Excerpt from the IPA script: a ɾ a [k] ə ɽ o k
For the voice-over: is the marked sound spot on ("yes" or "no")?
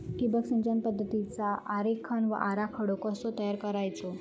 no